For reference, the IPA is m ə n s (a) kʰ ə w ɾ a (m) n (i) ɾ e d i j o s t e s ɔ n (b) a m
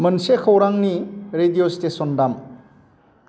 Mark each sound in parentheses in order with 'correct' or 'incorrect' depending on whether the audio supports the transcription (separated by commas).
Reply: incorrect, incorrect, correct, incorrect